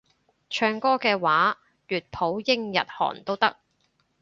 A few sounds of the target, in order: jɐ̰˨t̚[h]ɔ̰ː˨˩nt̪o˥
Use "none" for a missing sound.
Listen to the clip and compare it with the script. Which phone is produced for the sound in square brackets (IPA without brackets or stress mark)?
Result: h